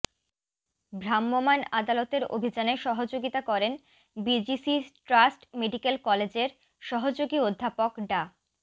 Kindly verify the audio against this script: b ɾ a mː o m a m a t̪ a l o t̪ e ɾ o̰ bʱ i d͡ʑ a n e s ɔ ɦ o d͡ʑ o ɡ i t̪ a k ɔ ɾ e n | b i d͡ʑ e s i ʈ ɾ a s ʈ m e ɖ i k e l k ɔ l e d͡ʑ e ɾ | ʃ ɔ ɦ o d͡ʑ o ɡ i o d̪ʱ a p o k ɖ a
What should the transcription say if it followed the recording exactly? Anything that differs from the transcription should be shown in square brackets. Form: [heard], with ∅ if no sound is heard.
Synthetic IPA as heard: b ɾ a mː o m a [n] a [d̪] a l o t̪ e ɾ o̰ bʱ i d͡ʑ a n e [ʃ] ɔ ɦ o d͡ʑ o ɡ i t̪ a k ɔ ɾ e n | b i d͡ʑ [i] s i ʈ ɾ a s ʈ m e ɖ i k e l k ɔ l e d͡ʑ e ɾ | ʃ ɔ ɦ o d͡ʑ o ɡ i o [d̪ʱː] a p o k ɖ a

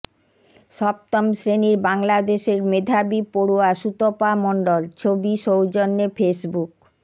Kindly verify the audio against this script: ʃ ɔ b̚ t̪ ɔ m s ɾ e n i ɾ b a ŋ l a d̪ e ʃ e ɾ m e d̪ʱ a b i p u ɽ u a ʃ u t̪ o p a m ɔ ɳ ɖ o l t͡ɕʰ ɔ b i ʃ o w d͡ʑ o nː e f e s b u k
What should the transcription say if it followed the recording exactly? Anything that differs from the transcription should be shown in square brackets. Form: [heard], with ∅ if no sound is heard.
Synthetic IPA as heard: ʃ ɔ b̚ t̪ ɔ m s ɾ e n i ɾ b a ŋ l a d̪ e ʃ e ɾ m e d̪ʱ a b i p [o] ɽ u a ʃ u t̪ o p a m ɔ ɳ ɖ o l t͡ɕʰ [o] b i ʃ o w d͡ʑ o nː e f e s b u k

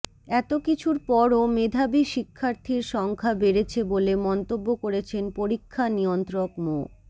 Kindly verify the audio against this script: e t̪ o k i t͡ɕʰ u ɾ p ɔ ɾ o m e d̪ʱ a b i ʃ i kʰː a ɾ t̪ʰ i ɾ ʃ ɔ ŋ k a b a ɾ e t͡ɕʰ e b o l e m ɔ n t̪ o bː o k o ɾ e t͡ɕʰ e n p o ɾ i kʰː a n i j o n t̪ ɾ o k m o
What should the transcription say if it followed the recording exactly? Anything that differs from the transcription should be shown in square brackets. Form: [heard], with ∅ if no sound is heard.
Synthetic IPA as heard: [ɛ] t̪ o k i t͡ɕʰ u ɾ p ɔ ɾ o m e d̪ʱ a b i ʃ i kʰː a ɾ t̪ʰ i ɾ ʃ ɔ ŋ [kʰ] a b [e] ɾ e t͡ɕʰ e b o l e m ɔ n t̪ o bː o k o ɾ e t͡ɕʰ e n p o ɾ i kʰː a n i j o n t̪ ɾ o k m o

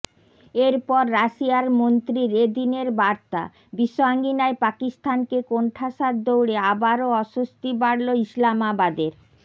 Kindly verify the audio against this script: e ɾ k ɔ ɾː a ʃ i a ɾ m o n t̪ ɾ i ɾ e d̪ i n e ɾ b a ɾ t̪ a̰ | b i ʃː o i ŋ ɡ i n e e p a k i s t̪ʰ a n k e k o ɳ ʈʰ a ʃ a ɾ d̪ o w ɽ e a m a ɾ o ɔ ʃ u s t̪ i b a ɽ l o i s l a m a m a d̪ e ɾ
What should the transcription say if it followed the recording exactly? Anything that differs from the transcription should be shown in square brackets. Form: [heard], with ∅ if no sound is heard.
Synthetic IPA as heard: e ɾ [p] ɔ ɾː a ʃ i a ɾ m o n t̪ ɾ i ɾ e d̪ i n e ɾ b a ɾ t̪ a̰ | b i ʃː o [a] ŋ ɡ i n [a] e p a k i s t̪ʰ a n k e k o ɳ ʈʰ a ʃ a ɾ d̪ o w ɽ e a [b] a ɾ o ɔ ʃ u s t̪ i b a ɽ l o i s l a m a [b] a d̪ e ɾ

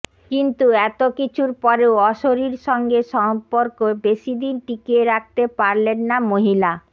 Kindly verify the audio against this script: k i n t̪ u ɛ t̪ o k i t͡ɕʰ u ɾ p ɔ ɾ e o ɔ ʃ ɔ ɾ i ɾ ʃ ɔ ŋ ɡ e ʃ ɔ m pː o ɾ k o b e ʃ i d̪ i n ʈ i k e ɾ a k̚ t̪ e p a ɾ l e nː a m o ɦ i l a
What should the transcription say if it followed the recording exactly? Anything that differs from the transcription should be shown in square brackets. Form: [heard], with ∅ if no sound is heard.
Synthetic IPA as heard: k i n t̪ u ɛ t̪ o k i t͡ɕʰ u ɾ p ɔ ɾ e o ɔ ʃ [o] ɾ i ɾ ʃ ɔ ŋ ɡ e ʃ ɔ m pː o ɾ k o b e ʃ i d̪ i n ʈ i k e ɾ a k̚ t̪ e p a ɾ l e nː a m o ɦ i l a

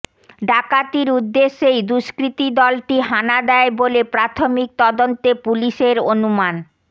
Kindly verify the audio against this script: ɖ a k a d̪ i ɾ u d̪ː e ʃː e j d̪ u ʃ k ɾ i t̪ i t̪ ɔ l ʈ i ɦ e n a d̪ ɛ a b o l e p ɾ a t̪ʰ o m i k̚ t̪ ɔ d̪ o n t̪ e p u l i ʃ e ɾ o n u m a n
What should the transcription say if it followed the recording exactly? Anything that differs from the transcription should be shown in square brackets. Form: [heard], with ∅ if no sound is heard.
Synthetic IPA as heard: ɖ a k a [t̪] i ɾ u d̪ː e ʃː e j d̪ u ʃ k ɾ i t̪ i [d̪] ɔ l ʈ i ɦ [a] n a d̪ ɛ [e] b o l e p ɾ a t̪ʰ o m i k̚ t̪ ɔ d̪ o n t̪ e p u l i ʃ e ɾ o n u m a n

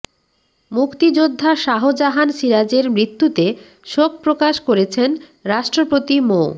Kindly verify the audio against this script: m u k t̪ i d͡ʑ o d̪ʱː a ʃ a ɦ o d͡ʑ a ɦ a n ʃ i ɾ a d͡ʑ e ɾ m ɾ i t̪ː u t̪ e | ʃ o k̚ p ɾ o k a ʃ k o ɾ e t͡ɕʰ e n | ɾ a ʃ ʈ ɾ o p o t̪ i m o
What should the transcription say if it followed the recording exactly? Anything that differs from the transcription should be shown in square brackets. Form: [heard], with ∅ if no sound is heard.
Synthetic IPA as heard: m u k t̪ i d͡ʑ o d̪ʱː a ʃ a ɦ o d͡ʑ a ɦ a n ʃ i ɾ a d͡ʑ e ɾ m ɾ i t̪ː u t̪ e | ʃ o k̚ p ɾ o k a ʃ k o ɾ e t͡ɕʰ e n | ɾ a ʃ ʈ ɾ o p o t̪ i m o

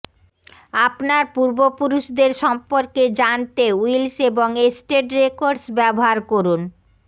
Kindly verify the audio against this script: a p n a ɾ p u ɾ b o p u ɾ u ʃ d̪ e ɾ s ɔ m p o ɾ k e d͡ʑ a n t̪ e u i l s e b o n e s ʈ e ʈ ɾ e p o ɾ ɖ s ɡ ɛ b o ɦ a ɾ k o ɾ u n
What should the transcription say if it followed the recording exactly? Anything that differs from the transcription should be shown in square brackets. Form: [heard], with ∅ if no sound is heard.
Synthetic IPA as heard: a p n a ɾ p u ɾ b o p u ɾ u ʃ d̪ e ɾ [ʃ] ɔ m p o ɾ k e d͡ʑ a n t̪ e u i l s e b o [ŋ] e s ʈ e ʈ ɾ e [k] o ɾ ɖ s [b] ɛ b o ɦ a ɾ k o ɾ u n

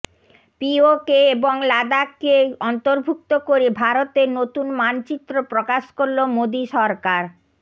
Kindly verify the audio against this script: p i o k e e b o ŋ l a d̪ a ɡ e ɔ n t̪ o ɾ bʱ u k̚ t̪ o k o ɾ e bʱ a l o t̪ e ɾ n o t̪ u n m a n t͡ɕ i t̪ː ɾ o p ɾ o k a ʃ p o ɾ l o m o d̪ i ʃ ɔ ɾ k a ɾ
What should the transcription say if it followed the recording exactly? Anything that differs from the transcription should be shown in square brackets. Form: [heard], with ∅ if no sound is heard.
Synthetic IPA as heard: p i o k e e b o ŋ l a d̪ a [k] e ɔ n t̪ o ɾ bʱ u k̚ t̪ o k o ɾ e bʱ a [ɾ] o t̪ e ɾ n o t̪ u n m a n t͡ɕ i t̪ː ɾ o p ɾ o k a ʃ [k] o ɾ l o m o d̪ i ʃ ɔ ɾ k a ɾ

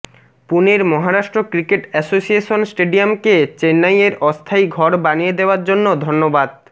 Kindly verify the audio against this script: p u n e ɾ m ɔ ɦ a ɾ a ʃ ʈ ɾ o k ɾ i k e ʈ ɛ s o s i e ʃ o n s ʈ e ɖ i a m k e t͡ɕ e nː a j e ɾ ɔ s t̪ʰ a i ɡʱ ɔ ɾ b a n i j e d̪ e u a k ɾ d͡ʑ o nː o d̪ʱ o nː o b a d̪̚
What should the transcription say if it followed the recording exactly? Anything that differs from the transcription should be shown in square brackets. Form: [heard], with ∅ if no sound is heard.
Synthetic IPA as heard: p u n e ɾ m ɔ ɦ a ɾ a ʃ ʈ ɾ o k ɾ i k e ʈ ɛ s o s i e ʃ o n s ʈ e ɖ i a m k e t͡ɕ e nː a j e ɾ ɔ s t̪ʰ a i ɡʱ ɔ ɾ b a n i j e d̪ e [o] a [∅] ɾ d͡ʑ o nː o d̪ʱ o nː o b a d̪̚

